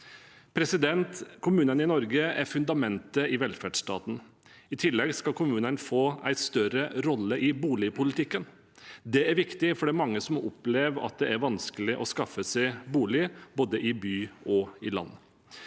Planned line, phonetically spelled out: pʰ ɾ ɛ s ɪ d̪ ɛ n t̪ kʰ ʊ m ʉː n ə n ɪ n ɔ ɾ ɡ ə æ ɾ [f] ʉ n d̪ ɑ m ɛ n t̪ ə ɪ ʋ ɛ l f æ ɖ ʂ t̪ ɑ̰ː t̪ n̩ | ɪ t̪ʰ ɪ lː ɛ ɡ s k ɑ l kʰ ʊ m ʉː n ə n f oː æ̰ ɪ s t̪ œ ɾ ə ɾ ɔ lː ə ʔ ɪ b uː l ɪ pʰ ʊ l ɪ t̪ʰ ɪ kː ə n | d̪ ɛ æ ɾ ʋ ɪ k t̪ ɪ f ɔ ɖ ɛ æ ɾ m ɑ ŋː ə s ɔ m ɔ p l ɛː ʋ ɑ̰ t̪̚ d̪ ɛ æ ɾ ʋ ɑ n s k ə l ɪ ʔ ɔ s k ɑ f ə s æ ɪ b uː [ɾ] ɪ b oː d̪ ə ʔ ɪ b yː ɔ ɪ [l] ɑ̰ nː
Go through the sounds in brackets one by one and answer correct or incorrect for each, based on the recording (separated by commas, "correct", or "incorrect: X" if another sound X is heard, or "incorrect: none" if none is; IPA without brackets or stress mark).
correct, incorrect: l, correct